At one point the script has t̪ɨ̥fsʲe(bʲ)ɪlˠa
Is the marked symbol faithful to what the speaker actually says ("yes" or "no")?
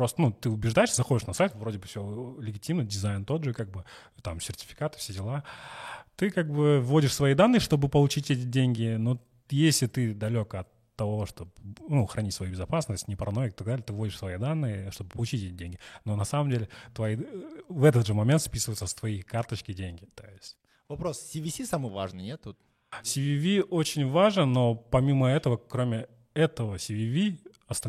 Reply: no